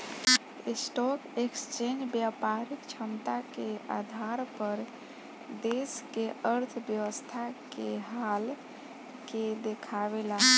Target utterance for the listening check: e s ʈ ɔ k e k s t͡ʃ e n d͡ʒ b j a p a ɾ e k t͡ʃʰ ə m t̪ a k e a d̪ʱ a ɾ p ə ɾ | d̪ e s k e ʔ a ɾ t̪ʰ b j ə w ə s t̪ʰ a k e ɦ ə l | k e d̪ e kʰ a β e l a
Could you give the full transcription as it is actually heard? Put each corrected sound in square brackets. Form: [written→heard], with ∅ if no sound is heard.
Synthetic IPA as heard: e s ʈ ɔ k e k s t͡ʃ e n d͡ʒ b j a p a ɾ [e→i] k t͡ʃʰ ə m t̪ a k e a d̪ʱ a ɾ p ə ɾ | d̪ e s k e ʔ [a→ə] ɾ t̪ʰ b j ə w ə s t̪ʰ a k e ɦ [ə→a] l | k e d̪ e kʰ a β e l a